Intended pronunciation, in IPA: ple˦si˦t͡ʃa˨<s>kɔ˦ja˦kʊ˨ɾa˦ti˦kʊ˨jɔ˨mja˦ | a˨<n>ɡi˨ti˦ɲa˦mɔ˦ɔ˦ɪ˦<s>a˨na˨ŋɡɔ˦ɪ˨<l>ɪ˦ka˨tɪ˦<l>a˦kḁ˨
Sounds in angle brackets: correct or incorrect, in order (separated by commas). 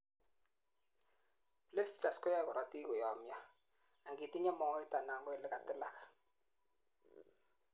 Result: correct, incorrect, incorrect, correct, correct